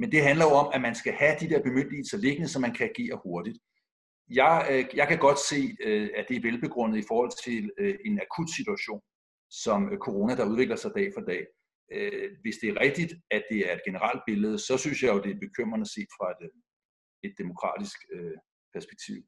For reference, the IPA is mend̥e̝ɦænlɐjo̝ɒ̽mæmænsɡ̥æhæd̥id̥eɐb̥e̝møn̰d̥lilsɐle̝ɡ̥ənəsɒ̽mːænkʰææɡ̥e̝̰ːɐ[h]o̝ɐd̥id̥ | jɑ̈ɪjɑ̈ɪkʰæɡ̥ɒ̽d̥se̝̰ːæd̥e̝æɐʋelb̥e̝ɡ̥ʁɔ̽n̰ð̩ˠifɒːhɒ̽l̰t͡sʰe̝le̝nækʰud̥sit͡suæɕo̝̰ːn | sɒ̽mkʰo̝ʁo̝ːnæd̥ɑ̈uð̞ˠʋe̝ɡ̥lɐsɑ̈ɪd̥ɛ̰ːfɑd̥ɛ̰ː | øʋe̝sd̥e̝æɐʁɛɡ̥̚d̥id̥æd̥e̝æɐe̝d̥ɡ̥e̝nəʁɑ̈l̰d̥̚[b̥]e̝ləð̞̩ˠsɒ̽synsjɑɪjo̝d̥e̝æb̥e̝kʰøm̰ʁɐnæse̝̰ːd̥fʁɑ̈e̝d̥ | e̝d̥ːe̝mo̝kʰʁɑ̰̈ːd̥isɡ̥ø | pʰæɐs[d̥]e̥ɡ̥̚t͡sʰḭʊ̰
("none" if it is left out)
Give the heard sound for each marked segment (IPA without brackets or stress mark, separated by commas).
h, b̥, b̥